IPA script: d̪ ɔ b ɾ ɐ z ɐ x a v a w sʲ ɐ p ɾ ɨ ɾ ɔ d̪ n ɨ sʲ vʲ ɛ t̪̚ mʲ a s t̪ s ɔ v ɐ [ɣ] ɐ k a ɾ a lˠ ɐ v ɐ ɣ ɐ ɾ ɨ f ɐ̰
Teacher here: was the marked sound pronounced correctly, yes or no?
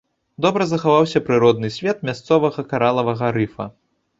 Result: yes